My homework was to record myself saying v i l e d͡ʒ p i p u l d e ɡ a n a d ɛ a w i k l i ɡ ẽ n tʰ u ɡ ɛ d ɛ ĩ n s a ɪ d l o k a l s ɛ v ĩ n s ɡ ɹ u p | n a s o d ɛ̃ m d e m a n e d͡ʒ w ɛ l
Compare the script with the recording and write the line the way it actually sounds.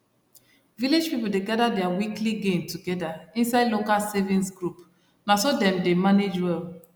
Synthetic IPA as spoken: v i l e d͡ʒ p i p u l d e ɡ a d a d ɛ a w i k l i ɡ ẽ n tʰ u ɡ ɛ d a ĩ n s a ɪ d l o k a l s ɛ v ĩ n s ɡ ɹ u p | n a s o d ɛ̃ m d e m a n e d͡ʒ w ɛ l